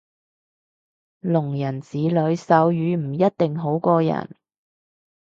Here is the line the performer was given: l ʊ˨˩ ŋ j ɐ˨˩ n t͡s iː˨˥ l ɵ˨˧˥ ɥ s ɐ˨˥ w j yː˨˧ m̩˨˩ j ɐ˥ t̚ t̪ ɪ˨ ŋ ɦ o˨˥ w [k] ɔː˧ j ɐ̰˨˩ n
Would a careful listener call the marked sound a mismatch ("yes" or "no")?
no